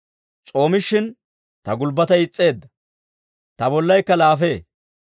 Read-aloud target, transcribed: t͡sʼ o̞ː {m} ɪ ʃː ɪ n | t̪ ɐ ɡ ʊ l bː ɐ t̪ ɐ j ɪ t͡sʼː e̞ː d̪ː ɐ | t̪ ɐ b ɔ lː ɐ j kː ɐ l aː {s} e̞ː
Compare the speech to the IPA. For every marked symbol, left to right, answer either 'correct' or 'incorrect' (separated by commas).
correct, incorrect